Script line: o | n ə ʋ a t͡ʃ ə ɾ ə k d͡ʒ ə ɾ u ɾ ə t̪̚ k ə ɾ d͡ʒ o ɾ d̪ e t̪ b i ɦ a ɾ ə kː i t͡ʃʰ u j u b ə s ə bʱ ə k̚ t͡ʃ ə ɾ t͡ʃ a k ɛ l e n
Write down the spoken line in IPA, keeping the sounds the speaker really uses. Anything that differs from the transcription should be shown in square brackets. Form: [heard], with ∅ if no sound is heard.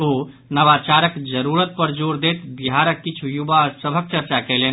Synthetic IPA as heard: o | n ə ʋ a t͡ʃ [a] ɾ ə k d͡ʒ ə ɾ u ɾ ə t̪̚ [p] ə ɾ d͡ʒ o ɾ d̪ e t̪ b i ɦ a ɾ ə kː i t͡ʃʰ u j u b [a] s ə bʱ ə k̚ t͡ʃ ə ɾ t͡ʃ a k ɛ l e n